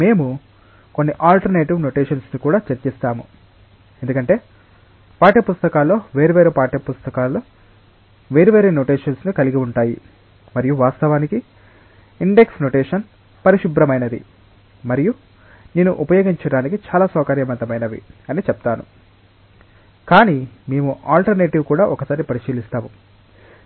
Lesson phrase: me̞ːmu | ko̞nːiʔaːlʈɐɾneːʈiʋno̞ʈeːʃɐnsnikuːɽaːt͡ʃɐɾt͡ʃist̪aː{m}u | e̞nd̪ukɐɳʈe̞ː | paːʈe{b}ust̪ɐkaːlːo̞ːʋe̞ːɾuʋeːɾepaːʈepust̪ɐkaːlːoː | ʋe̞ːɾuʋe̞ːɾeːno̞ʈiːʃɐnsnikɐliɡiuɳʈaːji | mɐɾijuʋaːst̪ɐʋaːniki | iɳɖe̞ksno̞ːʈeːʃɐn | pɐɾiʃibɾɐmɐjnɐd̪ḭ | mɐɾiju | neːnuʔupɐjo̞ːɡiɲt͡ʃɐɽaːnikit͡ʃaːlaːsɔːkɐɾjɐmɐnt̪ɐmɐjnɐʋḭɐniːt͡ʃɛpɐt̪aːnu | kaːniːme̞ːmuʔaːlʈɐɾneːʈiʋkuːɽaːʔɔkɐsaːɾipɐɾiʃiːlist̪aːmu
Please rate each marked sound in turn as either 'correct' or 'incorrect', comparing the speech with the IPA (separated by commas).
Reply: correct, incorrect